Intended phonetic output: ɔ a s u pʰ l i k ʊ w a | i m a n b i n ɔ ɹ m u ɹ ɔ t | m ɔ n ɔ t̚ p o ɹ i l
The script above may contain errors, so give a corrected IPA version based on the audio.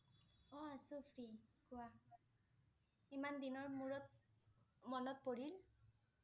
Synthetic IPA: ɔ a s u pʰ ɹ i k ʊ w a | i m a n d i n ɔ ɹ m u ɹ ɔ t | m ɔ n ɔ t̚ p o ɹ i l